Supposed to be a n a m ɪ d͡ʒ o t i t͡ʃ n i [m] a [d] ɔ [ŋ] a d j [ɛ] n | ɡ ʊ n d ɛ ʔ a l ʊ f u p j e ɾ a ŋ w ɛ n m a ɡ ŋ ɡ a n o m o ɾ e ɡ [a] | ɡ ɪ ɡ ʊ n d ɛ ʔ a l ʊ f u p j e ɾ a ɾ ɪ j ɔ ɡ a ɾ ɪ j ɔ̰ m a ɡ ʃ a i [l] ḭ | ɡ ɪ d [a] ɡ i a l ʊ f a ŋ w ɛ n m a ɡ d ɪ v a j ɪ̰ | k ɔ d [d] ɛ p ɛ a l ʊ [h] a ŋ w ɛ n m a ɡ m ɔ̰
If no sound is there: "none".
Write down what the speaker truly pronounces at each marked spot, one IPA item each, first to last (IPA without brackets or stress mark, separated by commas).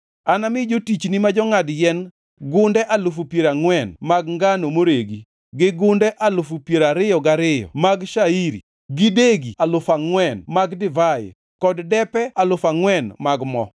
m, d͡ʒ, ŋ, ɛ, i, ɾ, e, d, f